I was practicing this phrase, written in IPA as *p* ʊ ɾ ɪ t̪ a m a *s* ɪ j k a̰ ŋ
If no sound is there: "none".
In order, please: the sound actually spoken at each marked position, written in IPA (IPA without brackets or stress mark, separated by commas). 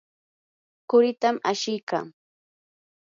k, ʃ